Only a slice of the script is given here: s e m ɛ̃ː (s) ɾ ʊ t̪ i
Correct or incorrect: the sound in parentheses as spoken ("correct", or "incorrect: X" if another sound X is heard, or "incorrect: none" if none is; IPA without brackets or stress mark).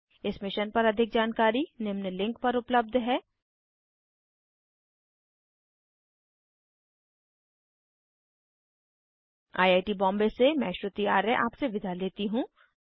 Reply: incorrect: ʃ